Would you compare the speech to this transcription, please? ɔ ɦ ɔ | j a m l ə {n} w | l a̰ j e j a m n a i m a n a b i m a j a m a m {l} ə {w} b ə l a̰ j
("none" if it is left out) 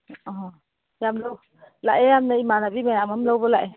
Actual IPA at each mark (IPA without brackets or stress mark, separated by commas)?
none, l, w